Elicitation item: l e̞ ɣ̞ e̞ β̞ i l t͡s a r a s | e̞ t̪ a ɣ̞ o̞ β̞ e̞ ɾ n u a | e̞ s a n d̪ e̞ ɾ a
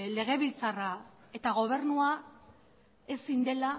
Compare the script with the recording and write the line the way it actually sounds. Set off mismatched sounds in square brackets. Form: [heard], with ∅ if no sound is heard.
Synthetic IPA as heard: l e̞ ɣ̞ e̞ β̞ i l t͡s a r a [∅] | e̞ t̪ a ɣ̞ o̞ β̞ e̞ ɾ n u a | e̞ s [i] n d̪ e̞ [l] a